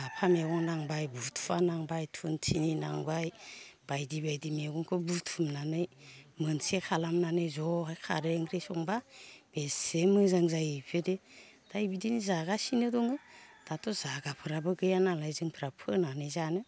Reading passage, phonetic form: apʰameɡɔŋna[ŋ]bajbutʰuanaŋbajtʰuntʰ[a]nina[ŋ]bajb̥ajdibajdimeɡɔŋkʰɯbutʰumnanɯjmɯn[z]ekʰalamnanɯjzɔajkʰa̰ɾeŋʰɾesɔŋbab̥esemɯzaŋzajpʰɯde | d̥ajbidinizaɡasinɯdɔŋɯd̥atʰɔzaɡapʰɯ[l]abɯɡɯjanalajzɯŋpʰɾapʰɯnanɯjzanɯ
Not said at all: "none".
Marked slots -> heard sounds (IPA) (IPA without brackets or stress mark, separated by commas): ŋ, i, ŋ, s, ɾ